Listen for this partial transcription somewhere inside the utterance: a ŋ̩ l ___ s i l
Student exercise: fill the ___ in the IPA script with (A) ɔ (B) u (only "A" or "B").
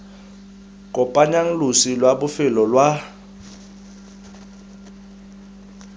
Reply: B